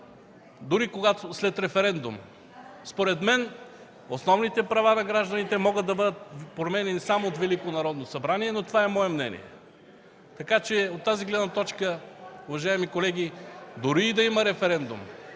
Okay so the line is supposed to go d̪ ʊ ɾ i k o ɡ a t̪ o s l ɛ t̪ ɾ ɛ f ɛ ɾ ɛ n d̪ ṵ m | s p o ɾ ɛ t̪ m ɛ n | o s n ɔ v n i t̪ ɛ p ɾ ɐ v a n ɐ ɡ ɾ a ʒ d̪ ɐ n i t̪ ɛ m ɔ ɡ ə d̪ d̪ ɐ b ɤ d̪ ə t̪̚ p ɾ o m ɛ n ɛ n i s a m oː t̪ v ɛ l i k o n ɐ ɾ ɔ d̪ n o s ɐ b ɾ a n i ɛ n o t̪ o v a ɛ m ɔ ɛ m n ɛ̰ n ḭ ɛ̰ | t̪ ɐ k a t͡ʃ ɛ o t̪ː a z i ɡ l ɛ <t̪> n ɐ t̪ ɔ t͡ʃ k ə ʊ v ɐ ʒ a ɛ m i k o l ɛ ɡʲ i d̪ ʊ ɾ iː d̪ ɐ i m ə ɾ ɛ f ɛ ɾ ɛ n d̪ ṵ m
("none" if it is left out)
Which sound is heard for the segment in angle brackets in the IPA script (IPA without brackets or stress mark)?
d̪